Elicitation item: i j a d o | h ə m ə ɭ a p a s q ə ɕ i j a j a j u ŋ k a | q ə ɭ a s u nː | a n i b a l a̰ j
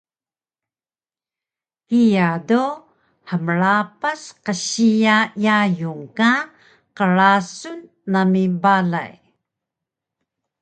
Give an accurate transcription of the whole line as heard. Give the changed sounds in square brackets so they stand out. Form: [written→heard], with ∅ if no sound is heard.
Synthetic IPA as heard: i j a d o | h ə m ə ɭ a p a s q ə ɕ i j a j a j u ŋ k a | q ə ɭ a s u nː | a [n→m] i b a l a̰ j